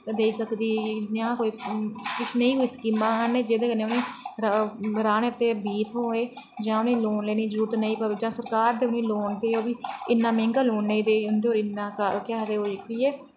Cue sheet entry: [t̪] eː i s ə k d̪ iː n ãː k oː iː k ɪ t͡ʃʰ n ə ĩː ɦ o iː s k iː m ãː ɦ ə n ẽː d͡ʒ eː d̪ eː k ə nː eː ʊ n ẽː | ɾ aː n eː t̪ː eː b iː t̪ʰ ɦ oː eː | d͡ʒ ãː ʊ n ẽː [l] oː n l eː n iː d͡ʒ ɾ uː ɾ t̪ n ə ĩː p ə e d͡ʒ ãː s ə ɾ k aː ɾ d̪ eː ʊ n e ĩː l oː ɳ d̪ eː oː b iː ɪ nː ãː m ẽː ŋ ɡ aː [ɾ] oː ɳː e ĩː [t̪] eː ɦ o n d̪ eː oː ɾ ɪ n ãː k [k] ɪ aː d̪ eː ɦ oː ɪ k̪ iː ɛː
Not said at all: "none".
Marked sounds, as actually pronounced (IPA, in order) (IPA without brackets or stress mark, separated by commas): d̪, l, l, d̪, k